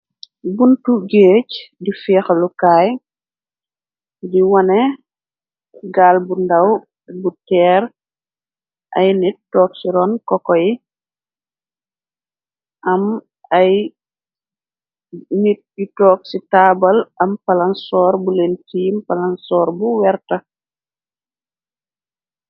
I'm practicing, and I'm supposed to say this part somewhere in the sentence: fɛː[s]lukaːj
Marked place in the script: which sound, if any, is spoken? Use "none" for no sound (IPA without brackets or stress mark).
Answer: x